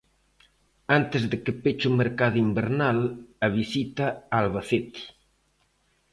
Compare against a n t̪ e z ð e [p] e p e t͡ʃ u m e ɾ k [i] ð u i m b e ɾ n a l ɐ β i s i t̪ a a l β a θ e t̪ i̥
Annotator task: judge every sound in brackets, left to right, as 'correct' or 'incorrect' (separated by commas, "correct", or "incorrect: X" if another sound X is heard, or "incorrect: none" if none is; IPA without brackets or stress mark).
incorrect: k, incorrect: a